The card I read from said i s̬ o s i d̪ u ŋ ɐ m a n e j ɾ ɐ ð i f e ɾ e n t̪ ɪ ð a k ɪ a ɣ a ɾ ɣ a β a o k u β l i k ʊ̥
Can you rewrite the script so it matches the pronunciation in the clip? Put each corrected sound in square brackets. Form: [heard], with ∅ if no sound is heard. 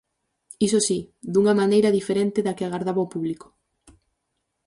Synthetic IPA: i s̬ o s i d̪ u ŋ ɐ m a n e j ɾ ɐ ð i f e ɾ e n t̪ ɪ ð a k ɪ a ɣ a ɾ [ð] a β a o [p] u β l i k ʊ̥